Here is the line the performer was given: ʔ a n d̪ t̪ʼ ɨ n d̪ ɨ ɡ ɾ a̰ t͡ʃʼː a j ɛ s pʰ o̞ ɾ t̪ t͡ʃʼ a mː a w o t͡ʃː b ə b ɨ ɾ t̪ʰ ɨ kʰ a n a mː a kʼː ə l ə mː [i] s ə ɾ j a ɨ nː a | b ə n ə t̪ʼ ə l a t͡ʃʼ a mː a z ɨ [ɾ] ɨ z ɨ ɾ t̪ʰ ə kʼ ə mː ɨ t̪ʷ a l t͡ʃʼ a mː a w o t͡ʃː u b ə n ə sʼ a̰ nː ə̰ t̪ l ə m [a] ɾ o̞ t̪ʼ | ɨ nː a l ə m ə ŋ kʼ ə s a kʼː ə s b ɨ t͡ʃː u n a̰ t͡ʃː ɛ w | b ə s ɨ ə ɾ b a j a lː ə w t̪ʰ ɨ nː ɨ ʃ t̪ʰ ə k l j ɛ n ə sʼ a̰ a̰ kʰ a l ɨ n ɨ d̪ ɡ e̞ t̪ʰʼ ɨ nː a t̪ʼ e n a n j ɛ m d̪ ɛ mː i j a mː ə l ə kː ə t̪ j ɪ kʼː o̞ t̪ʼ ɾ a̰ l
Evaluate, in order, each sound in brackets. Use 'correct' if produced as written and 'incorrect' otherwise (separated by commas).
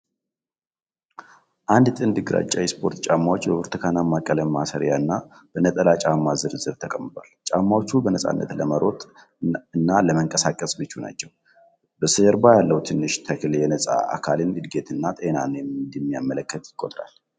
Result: incorrect, correct, incorrect